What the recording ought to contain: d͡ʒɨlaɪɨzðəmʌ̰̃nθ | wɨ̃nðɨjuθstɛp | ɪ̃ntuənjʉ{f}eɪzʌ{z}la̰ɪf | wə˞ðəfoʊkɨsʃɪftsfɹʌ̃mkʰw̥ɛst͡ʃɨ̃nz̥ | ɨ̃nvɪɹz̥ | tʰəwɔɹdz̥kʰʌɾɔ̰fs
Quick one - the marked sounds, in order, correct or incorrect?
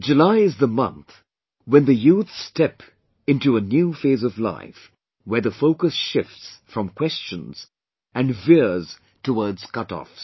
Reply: correct, incorrect: v

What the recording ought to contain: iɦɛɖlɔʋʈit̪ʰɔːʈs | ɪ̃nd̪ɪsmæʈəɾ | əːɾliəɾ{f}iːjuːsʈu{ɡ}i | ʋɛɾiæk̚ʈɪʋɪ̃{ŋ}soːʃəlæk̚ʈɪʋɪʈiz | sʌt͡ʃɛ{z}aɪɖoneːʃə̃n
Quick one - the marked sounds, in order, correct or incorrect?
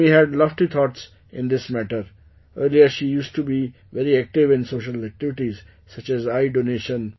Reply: incorrect: ʃ, incorrect: b, incorrect: n, correct

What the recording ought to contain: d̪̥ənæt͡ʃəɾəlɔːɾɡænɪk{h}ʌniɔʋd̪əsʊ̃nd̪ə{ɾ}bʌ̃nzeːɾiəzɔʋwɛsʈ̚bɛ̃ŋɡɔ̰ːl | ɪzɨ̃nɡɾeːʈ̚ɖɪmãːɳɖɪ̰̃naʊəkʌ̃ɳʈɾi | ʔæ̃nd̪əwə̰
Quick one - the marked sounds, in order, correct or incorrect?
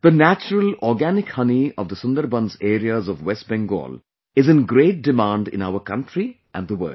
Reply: correct, correct

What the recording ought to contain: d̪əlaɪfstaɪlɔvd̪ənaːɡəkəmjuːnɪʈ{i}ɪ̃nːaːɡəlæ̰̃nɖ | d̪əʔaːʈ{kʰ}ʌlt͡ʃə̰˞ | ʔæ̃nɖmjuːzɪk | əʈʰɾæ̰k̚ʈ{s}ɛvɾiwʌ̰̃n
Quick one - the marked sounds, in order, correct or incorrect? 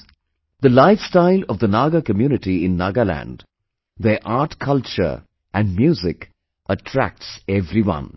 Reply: correct, correct, correct

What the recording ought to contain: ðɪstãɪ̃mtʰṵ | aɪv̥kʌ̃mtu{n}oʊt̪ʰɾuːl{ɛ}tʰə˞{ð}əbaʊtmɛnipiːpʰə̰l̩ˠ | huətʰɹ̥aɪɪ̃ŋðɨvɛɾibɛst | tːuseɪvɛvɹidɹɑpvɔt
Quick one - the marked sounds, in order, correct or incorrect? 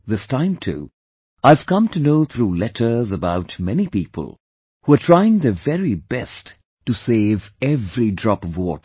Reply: correct, correct, incorrect: z

